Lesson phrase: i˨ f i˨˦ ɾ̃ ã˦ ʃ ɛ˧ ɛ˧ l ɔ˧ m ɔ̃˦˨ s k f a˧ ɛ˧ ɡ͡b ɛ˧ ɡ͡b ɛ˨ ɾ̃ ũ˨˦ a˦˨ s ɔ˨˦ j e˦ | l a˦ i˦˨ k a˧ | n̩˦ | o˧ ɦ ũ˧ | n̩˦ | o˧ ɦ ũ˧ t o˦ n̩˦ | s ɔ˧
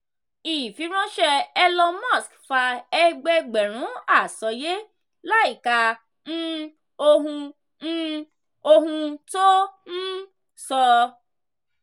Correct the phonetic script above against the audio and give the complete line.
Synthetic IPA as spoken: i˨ f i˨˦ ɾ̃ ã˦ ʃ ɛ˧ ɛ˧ l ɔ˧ m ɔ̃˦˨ s k f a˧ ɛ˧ ɡ͡b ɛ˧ ɡ͡b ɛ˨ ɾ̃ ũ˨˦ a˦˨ s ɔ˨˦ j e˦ | l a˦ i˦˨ k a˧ | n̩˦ | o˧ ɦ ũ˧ | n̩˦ | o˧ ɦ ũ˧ t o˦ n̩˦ | s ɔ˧

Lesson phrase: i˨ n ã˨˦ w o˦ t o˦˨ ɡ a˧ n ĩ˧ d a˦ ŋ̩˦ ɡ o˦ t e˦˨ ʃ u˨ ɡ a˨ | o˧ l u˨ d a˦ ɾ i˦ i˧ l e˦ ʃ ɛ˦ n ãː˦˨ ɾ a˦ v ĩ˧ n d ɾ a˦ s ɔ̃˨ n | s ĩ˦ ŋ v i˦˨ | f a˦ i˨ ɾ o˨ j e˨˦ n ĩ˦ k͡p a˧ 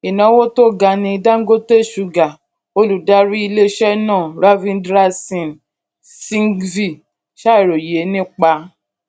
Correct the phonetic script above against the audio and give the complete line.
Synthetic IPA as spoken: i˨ n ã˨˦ w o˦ t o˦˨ ɡ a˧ n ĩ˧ d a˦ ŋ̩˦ ɡ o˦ t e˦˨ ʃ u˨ ɡ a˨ | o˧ l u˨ d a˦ ɾ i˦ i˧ l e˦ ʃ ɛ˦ n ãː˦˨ ɾ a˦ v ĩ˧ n d ɾ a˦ s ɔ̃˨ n | s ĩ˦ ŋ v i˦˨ | ʃ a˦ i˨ ɾ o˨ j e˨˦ n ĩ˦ k͡p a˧

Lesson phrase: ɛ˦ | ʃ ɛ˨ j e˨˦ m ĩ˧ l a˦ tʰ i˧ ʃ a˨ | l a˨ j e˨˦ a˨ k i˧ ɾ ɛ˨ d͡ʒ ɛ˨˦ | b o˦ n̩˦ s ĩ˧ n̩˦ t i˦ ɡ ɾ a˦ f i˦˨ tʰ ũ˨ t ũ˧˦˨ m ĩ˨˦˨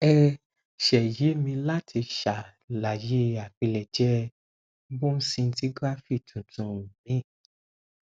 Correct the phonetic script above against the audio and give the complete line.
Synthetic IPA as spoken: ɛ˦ | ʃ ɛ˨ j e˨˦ m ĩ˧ l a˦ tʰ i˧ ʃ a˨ | l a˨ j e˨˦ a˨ k͡p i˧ l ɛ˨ d͡ʒ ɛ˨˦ | b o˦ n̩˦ s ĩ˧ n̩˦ t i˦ ɡ ɾ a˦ f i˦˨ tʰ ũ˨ t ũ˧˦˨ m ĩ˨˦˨

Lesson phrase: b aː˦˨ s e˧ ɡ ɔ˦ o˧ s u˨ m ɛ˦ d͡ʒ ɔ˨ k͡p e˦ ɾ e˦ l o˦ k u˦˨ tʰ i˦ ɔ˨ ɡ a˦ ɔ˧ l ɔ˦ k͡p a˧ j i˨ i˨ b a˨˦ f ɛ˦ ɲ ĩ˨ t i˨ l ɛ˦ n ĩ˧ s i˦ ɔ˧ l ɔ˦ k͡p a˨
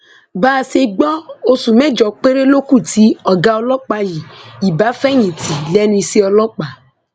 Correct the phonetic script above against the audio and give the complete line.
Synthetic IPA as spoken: b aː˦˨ s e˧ ɡ͡b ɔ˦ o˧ s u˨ m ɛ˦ d͡ʒ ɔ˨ k͡p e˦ ɾ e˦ l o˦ k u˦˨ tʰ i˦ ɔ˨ ɡ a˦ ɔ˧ l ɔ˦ k͡p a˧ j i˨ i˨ b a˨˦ f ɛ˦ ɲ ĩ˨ t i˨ l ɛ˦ n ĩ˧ s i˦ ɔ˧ l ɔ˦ k͡p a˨

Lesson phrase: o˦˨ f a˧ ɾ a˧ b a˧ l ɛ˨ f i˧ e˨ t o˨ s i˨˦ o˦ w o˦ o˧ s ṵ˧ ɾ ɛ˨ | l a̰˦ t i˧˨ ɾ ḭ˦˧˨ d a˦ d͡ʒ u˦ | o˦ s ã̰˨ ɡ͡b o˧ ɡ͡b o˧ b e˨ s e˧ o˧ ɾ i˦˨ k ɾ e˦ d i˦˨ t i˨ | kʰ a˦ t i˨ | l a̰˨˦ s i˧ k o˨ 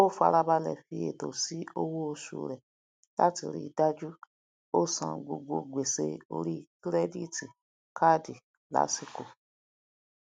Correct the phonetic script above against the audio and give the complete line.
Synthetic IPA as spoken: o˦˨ f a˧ ɾ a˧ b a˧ l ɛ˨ f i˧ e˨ t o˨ s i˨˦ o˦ w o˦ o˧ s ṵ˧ ɾ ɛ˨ | l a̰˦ t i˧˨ ɾ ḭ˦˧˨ d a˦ d͡ʒ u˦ | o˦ s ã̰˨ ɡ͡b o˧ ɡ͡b o˧ ɡ͡b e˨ s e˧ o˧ ɾ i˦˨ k ɾ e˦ d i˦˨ t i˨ | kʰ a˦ d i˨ | l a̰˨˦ s i˧ k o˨

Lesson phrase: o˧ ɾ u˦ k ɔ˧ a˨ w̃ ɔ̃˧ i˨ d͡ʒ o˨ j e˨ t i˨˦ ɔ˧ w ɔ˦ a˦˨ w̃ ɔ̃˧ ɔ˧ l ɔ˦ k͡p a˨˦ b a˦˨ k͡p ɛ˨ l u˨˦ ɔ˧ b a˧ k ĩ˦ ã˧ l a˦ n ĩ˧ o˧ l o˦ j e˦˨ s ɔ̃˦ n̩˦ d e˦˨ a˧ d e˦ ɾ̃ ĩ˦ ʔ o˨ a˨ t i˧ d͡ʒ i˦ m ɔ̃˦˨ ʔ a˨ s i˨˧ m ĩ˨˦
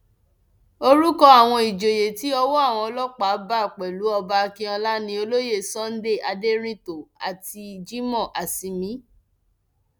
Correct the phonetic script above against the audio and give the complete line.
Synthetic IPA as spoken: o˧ ɾ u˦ k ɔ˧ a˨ w̃ ɔ̃˧ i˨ d͡ʒ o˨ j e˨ t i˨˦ ɔ˧ w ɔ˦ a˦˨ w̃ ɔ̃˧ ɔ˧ l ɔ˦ k͡p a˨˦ b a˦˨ k͡p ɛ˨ l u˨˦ ɔ˧ b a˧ k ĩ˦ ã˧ l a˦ n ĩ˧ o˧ l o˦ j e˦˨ s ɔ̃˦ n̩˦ d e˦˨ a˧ d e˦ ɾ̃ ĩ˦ t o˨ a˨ t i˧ d͡ʒ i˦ m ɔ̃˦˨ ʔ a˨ s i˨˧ m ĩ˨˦

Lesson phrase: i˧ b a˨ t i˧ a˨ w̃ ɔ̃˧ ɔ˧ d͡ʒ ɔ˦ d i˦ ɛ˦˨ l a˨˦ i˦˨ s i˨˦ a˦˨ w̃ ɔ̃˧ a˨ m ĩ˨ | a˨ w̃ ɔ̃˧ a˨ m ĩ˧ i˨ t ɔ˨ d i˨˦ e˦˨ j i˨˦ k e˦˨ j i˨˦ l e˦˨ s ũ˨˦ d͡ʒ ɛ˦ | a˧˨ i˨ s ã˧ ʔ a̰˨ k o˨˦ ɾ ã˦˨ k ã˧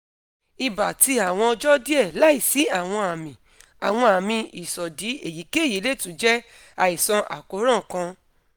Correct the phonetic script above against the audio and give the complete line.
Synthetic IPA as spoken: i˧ b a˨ t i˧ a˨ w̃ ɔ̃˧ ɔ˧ d͡ʒ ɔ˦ d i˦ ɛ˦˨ l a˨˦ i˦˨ s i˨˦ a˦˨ w̃ ɔ̃˧ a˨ m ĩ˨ | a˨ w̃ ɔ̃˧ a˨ m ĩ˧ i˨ s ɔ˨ d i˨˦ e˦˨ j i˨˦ k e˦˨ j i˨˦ l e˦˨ t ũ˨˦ d͡ʒ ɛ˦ | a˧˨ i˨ s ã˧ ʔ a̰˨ k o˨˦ ɾ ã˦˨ k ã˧

